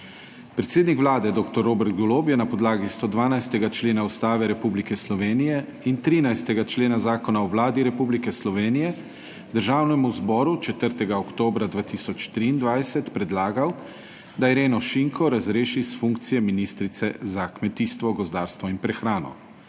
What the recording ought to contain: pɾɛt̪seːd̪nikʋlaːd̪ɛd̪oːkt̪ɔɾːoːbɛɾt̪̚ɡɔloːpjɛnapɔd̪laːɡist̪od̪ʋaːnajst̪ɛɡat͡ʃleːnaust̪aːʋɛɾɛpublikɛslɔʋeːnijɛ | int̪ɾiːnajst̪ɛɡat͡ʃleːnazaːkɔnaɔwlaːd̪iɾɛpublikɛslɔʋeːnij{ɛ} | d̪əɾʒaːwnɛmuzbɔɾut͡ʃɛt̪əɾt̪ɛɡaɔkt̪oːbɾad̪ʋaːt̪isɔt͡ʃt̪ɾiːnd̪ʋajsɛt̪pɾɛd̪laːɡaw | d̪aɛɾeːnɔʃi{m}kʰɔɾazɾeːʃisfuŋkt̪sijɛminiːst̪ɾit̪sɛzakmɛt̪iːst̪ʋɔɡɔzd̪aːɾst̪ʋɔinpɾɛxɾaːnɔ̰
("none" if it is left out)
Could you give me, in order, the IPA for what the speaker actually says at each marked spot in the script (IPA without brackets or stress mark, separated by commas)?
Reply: ɛ, ŋ